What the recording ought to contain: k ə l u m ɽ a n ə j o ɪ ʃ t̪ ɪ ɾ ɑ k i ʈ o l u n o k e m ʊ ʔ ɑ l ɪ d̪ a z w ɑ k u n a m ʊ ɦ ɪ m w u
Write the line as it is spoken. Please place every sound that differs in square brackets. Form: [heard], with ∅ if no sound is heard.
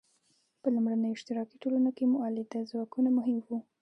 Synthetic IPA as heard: [p] ə l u m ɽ a n ə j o ɪ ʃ t̪ ɪ ɾ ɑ k i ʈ o l u n o k e m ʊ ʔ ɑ l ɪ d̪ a z w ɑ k u n a m ʊ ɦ ɪ m w u

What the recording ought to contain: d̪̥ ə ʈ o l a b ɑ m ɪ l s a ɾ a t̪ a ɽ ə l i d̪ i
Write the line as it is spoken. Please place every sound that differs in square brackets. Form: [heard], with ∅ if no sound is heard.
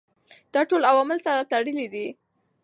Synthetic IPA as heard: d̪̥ [ɑ] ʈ o l a [w] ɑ m ɪ l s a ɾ a t̪ a ɽ ə l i d̪ i

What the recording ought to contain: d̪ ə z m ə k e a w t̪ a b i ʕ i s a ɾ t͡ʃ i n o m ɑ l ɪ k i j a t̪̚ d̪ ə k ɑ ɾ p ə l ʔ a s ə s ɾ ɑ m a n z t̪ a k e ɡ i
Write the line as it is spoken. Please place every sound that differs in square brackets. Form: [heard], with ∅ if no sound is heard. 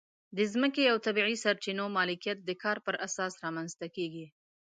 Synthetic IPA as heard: d̪ ə z m ə k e a w t̪ a b i ʕ i s a ɾ t͡ʃ i n o m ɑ l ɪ k i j a t̪̚ d̪ ə k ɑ ɾ p ə [ɾ] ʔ a s [ɑ] s ɾ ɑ m a n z t̪ a k e ɡ i

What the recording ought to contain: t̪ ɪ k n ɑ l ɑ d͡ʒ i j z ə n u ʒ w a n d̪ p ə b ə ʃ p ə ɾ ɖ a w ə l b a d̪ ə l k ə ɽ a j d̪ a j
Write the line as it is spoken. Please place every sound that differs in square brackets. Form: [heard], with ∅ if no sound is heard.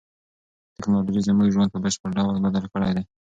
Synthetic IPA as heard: t̪ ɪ k n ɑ l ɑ d͡ʒ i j z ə [m] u ʒ w a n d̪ p ə b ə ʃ p ə ɾ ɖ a w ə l b a d̪ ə l k ə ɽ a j d̪ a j

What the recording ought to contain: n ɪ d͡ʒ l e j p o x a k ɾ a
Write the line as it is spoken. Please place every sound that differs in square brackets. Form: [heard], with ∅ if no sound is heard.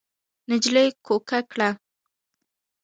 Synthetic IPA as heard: n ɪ d͡ʒ l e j [k] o [k] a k [ɽ] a

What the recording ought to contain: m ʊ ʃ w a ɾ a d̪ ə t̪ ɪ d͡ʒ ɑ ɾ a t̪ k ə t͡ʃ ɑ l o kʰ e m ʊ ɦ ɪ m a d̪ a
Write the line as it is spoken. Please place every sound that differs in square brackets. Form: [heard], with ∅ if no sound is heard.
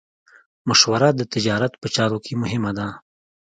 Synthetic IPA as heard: m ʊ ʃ w a ɾ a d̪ ə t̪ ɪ d͡ʒ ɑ ɾ a t̪ [p] ə t͡ʃ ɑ [ɾ] o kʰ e m ʊ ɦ ɪ m a d̪ a

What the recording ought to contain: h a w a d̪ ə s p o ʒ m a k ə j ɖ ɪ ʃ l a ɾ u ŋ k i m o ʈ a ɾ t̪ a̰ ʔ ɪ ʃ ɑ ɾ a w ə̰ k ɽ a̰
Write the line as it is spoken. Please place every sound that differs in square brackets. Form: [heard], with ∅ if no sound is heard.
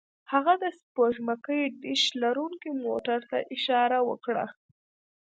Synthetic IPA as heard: h a [ɣ] a d̪ ə s p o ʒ m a k ə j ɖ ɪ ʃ l a ɾ u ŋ k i m o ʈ a ɾ t̪ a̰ ʔ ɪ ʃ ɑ ɾ a w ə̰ k ɽ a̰

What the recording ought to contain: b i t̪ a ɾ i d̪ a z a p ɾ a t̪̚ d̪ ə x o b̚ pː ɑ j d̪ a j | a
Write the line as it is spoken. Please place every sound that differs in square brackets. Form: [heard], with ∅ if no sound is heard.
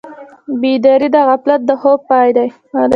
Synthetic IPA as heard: b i [d̪] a ɾ i d̪ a [ɣ] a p [l] a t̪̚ d̪ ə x o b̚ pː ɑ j d̪ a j | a

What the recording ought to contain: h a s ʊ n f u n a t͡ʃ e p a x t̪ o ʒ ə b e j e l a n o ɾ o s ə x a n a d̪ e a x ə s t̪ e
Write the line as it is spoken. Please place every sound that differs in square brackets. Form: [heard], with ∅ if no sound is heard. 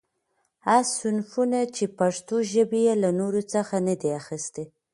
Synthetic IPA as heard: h a s ʊ n f u n a t͡ʃ e p a [ʂ] t̪ o ʒ ə b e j e l a n o ɾ o [t͡s] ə x a n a d̪ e a x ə s t̪ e

